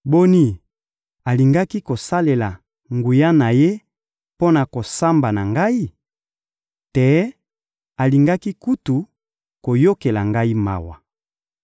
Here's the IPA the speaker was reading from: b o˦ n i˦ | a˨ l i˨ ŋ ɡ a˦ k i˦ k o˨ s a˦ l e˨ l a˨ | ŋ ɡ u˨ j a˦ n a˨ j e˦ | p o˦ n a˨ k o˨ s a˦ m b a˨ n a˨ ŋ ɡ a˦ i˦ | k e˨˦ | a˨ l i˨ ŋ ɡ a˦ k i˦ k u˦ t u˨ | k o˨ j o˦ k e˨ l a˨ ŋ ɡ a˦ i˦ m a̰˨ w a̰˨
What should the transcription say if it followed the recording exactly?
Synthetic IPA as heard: b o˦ n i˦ | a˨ l i˨ ŋ ɡ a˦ k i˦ k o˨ s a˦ l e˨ l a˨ | ŋ ɡ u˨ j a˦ n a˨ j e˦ | p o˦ n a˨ k o˨ s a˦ m b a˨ n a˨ ŋ ɡ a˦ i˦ | t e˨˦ | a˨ l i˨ ŋ ɡ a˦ k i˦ k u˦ t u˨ | k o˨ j o˦ k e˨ l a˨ ŋ ɡ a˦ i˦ m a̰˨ w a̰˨

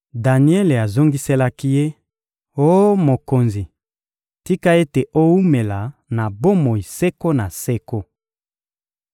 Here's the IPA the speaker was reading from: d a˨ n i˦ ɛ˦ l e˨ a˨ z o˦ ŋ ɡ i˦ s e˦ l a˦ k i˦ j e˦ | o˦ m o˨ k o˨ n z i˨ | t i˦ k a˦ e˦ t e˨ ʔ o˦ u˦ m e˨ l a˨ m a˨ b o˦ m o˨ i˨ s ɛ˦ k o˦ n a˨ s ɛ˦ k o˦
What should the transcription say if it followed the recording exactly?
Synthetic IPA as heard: d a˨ n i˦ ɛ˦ l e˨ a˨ z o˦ ŋ ɡ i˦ s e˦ l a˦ k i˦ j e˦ | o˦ m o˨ k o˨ n z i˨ | t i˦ k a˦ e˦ t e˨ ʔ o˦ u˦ m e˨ l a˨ n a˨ b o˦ m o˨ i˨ s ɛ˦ k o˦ n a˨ s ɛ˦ k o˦

